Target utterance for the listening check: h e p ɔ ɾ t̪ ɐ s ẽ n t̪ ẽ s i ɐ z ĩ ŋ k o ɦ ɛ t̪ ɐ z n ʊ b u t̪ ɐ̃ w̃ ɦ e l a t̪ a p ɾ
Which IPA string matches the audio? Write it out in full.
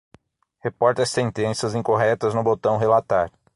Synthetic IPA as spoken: h e p ɔ ɾ t̪ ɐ s ẽ n t̪ ẽ s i ɐ z ĩ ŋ k o ɦ ɛ t̪ ɐ z n ʊ b o t̪ ɐ̃ w̃ ɦ e l a t̪ a ɾ